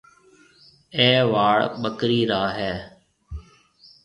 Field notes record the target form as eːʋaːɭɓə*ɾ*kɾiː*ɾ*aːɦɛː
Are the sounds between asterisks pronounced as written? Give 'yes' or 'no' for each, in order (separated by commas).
no, yes